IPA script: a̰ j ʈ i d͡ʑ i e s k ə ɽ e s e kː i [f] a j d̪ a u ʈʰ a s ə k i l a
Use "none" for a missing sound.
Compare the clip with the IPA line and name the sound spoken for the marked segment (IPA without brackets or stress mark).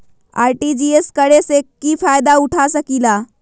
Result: f